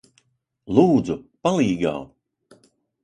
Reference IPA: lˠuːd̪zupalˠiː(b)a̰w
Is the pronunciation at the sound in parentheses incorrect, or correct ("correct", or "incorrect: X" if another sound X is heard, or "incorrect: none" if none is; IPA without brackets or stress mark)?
incorrect: ɡ